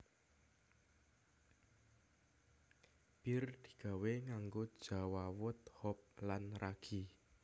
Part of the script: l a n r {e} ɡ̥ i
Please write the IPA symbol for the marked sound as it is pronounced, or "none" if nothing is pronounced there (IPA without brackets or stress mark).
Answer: a